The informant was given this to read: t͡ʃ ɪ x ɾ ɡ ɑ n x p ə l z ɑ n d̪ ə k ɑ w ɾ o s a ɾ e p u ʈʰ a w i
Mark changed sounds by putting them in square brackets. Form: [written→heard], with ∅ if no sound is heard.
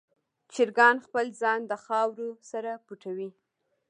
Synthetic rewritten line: t͡ʃ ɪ [x→∅] ɾ ɡ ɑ n x p ə l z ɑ n d̪ ə [k→x] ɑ w ɾ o s a ɾ [e→a] p u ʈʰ a w i